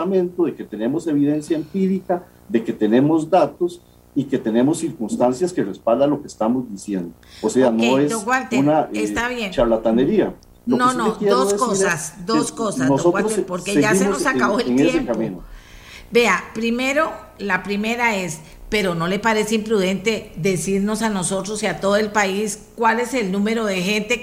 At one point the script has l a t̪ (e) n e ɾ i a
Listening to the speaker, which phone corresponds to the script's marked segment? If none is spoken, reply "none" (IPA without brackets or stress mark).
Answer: a